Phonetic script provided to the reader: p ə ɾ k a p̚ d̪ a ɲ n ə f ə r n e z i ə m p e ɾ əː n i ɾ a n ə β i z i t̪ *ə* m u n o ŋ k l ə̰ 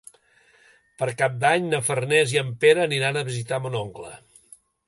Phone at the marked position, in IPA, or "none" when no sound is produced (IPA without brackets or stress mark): a